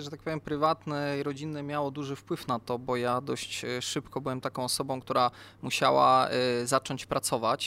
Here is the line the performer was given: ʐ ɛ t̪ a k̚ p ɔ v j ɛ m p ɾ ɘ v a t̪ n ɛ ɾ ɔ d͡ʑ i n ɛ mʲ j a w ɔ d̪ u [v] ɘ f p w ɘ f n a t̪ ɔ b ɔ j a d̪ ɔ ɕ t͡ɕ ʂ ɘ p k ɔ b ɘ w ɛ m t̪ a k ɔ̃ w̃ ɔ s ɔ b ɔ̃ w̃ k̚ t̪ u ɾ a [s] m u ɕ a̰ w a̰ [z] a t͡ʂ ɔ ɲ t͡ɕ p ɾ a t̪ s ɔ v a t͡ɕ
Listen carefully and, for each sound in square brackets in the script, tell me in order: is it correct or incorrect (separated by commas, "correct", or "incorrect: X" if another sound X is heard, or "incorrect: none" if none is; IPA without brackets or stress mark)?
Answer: incorrect: ʐ, incorrect: none, correct